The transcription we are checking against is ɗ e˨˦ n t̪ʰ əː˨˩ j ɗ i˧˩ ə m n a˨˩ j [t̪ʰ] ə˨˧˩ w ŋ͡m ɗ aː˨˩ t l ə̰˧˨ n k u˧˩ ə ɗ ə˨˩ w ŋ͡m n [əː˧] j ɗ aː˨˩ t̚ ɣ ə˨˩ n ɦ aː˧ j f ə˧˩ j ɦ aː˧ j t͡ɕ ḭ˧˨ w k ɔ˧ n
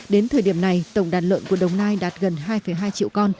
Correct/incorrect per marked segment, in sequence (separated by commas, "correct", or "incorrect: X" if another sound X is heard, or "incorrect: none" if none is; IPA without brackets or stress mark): incorrect: t̪, incorrect: aː˧